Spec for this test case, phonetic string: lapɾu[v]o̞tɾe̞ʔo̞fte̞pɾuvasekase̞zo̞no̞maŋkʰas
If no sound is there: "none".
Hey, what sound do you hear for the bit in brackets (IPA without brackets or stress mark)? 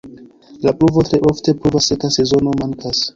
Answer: v